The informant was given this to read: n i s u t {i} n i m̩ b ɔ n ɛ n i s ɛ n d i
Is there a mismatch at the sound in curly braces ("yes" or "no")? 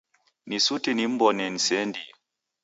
no